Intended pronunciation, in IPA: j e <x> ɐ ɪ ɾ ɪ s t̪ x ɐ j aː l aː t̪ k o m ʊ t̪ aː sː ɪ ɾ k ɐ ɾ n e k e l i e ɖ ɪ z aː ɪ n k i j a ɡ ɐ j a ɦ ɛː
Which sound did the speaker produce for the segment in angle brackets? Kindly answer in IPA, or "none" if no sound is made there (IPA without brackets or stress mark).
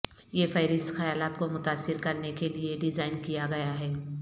f